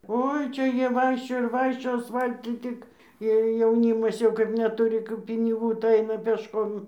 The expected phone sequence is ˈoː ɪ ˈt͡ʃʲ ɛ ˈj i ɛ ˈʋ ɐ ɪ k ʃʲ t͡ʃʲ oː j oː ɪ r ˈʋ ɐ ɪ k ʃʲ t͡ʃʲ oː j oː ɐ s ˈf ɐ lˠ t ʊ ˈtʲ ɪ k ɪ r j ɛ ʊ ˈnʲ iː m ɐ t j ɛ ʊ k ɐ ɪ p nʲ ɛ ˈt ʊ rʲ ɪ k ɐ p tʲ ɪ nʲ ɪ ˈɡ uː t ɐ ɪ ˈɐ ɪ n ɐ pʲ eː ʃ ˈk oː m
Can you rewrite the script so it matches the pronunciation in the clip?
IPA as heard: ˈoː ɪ ˈt͡ʃʲ ɛ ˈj i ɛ ˈʋ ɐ ɪ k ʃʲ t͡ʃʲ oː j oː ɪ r ˈʋ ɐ ɪ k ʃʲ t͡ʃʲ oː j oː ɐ s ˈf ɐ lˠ t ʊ ˈtʲ ɪ k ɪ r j ɛ ʊ ˈnʲ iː m ɐ s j ɛ ʊ k ɐ ɪ p nʲ ɛ ˈt ʊ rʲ ɪ k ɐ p pʲ ɪ nʲ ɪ ˈɡ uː t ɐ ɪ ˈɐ ɪ n ɐ pʲ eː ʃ ˈk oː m